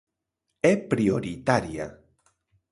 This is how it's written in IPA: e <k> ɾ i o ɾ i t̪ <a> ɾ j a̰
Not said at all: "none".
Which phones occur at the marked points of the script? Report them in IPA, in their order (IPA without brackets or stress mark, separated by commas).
p, a